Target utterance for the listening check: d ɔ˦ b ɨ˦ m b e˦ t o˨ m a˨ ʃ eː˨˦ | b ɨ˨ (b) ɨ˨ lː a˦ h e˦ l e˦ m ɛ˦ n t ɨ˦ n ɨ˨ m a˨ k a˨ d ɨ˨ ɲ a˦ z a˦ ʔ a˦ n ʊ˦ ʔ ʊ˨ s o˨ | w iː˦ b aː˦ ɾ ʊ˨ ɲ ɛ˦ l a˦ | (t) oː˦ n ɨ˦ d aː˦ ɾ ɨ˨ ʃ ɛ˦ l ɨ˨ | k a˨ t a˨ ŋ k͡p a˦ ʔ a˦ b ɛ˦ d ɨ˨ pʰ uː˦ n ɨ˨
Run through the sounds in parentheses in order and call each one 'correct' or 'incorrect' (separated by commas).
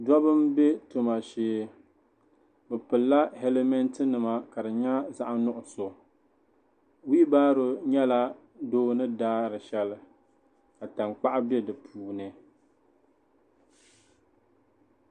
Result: incorrect, incorrect